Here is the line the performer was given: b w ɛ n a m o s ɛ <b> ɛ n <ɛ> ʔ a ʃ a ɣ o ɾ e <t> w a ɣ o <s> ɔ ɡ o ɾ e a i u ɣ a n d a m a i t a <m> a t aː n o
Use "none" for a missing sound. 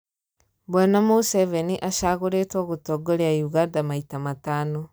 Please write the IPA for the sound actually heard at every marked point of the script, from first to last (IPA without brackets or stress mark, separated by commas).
v, i, t, t, m